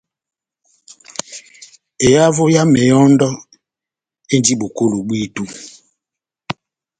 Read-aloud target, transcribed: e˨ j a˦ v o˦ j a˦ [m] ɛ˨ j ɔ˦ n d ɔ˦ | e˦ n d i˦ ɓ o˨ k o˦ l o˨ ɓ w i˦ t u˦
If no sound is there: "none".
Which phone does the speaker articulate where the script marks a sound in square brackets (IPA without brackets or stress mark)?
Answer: m